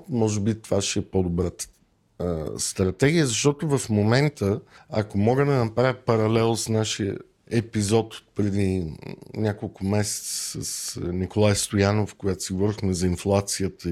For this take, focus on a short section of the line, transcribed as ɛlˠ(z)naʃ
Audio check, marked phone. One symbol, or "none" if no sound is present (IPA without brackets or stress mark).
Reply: s